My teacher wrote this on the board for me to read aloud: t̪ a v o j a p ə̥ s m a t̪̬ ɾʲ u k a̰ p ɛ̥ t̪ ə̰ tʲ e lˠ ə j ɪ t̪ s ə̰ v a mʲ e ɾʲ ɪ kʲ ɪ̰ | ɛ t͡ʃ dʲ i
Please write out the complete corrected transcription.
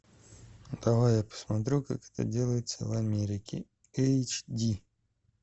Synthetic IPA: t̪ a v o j a p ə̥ s m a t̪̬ ɾʲ u k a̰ k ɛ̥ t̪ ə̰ dʲ e lˠ ə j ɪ t̪ s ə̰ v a mʲ e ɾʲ ɪ kʲ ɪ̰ | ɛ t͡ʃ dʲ i